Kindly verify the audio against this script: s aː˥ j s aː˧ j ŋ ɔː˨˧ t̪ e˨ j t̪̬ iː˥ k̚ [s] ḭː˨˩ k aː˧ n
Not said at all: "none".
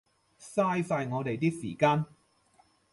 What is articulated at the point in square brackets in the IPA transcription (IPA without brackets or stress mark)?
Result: s